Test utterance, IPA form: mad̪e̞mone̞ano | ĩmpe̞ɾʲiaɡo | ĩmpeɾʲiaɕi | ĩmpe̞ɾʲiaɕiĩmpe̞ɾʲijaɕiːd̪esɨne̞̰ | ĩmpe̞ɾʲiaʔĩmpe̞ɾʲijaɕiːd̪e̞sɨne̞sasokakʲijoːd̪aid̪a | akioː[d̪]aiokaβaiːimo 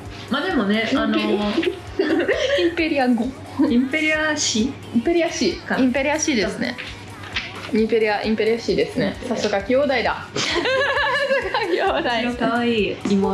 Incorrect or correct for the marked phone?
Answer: correct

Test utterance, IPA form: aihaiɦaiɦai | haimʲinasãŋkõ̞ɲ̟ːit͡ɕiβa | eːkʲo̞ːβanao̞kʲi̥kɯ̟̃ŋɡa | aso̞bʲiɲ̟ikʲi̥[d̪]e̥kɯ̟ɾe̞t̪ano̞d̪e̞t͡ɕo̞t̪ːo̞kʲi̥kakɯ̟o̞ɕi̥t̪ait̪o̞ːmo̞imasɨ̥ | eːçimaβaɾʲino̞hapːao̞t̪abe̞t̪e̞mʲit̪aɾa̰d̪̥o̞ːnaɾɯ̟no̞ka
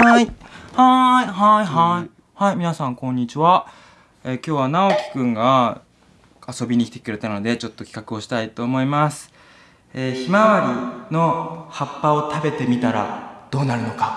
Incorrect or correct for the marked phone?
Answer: incorrect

